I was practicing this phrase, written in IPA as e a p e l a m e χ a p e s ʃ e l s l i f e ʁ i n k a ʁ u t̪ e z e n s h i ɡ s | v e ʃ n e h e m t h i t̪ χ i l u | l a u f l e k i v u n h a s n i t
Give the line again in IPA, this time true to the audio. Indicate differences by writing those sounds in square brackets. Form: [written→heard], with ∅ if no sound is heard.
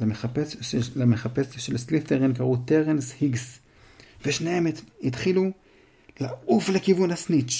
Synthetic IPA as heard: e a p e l a m e χ a p e s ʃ e l s l i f e ʁ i n k a ʁ u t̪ e [z→ʁ] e n s h i ɡ s | v e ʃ n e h e m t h i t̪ χ i l u | l a u f l e k i v u n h a s n i [t→t͡ʃ]